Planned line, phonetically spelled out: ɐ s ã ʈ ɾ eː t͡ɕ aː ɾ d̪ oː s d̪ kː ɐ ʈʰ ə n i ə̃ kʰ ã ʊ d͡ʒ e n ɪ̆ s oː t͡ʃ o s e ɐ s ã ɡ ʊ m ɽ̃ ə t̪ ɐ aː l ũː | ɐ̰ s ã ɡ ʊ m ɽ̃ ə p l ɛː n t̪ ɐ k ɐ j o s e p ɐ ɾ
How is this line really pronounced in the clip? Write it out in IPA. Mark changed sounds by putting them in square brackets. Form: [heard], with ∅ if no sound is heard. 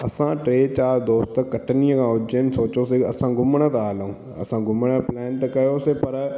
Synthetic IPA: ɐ s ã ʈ ɾ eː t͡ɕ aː ɾ d̪ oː s [t̪] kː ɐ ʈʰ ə n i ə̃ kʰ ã ʊ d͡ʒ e n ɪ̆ s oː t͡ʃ o s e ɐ s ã ɡ ʊ m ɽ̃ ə t̪ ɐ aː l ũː | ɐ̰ s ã ɡ ʊ m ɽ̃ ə p l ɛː n t̪ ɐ k ɐ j o s e p ɐ ɾ